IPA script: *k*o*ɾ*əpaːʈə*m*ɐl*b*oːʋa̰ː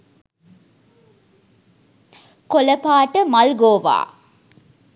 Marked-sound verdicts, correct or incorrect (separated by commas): correct, incorrect, correct, incorrect